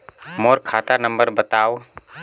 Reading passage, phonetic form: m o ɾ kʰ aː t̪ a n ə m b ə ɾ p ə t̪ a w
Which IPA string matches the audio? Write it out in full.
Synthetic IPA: m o ɾ kʰ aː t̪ a n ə m b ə ɾ b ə t̪ a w